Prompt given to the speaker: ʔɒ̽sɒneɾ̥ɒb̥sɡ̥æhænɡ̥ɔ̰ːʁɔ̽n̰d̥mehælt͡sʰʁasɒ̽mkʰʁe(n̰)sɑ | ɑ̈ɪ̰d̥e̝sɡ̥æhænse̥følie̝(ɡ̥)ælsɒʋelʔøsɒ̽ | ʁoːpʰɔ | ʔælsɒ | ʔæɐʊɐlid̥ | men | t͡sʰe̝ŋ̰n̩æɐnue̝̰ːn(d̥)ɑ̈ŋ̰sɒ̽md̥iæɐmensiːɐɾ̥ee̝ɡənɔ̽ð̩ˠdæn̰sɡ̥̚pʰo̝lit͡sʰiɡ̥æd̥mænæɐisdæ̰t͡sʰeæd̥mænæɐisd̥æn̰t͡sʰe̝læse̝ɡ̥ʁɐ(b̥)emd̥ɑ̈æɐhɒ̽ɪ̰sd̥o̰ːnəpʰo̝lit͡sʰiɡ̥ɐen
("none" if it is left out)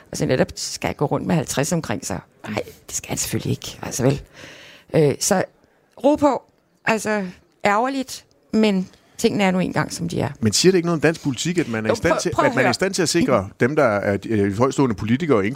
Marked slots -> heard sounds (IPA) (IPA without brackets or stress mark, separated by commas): ŋ̰, ɡ̥, ɡ̥, d̥